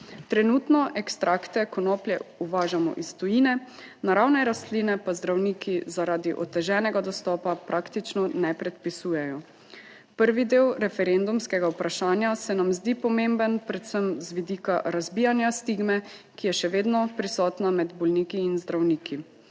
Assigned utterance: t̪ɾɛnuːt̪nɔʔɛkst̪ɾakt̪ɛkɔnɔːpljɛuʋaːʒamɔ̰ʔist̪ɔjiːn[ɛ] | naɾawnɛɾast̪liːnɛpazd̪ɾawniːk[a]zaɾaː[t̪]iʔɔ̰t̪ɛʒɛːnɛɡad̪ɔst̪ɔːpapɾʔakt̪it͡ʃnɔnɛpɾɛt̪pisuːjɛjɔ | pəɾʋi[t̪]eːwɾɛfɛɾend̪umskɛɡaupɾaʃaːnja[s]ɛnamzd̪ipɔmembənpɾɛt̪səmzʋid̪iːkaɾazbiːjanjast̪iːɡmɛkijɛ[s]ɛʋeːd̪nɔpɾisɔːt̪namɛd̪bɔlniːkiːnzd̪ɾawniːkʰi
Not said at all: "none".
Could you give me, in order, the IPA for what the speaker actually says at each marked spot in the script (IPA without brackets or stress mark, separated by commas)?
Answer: ɛ, i, d̪, d̪, s, ʃ